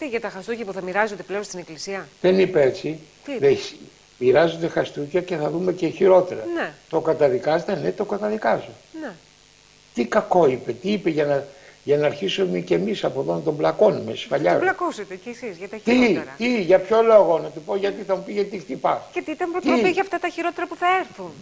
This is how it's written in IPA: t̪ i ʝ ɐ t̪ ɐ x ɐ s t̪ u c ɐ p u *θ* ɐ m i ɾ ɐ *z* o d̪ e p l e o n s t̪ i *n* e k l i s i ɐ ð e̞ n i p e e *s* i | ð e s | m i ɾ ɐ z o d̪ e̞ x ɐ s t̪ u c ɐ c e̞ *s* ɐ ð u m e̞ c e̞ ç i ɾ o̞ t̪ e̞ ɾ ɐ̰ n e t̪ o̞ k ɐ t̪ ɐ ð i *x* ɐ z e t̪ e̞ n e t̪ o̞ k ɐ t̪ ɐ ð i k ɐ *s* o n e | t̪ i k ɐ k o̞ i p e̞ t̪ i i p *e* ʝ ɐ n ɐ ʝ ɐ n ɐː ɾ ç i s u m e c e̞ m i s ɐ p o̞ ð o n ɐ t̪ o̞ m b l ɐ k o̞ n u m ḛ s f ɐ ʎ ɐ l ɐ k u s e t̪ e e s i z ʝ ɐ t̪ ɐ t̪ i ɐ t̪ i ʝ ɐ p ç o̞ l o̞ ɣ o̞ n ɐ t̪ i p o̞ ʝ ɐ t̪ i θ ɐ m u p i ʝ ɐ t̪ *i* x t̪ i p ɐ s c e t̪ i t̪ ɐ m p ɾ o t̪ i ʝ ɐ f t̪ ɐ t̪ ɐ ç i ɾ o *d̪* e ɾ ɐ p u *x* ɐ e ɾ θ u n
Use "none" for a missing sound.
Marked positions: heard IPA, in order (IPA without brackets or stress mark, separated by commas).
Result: θ, z, n, t͡s, θ, k, z, e, i, t̪, θ